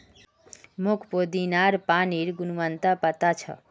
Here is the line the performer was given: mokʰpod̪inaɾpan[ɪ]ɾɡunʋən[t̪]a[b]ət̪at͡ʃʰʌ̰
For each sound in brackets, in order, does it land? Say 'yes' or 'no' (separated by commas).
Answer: no, yes, no